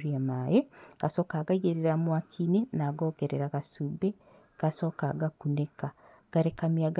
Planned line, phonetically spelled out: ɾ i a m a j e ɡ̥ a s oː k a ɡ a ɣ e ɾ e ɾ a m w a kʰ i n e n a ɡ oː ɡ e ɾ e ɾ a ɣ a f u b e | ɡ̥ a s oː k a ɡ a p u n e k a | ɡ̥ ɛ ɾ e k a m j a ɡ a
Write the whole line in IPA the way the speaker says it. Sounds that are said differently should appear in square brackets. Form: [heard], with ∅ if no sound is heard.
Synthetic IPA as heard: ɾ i a m a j e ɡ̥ a s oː k a ɡ a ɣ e ɾ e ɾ a m w a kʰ i n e n a ɡ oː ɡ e ɾ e ɾ a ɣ a [s] u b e | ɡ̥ a s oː k a ɡ a [k] u n e k a | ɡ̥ [a] ɾ e k a m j a ɡ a